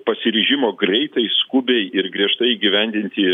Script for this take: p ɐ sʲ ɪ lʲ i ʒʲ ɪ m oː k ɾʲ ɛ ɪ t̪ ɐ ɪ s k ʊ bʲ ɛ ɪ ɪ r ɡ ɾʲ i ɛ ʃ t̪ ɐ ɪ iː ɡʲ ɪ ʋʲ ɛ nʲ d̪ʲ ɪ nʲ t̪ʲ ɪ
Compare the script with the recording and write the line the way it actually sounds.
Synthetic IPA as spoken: p ɐ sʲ ɪ ɾʲ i ʒʲ ɪ m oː ɡ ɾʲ ɛ ɪ t̪ ɐ ɪ s k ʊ bʲ ɛ ɪ ɪ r ɡ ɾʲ i ɛ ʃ t̪ ɐ ɪ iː ɡʲ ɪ ʋʲ ɛ nʲ d̪ʲ ɪ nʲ t̪ʲ ɪ